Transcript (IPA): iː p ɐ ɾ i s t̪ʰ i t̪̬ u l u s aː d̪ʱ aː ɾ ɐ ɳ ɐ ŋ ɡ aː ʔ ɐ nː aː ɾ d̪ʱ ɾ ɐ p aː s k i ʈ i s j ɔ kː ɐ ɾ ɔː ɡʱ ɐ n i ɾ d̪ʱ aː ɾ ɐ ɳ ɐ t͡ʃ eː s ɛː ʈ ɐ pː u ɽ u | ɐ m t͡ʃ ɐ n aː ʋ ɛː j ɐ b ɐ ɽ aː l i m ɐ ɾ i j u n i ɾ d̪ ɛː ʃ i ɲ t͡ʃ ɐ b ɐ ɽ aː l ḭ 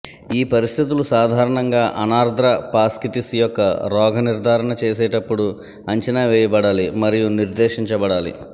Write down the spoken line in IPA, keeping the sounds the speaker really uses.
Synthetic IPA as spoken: iː p ɐ ɾ i s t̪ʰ i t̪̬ u l u s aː d̪ʱ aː ɾ ɐ ɳ ɐ ŋ ɡ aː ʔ ɐ n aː ɾ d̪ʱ ɾ ɐ p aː s k i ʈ i s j ɔ kː ɐ ɾ ɔː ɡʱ ɐ n i ɾ d̪ʱ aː ɾ ɐ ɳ ɐ t͡ʃ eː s ɛː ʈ ɐ pː u ɽ u | ɐ ɲ t͡ʃ ɐ n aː ʋ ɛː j ɐ b ɐ ɽ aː l i m ɐ ɾ i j u n i ɾ d̪ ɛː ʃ i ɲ t͡ʃ ɐ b ɐ ɽ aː l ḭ